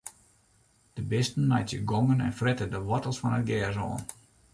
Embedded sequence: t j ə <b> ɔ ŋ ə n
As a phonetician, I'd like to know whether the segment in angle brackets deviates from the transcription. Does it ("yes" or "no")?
yes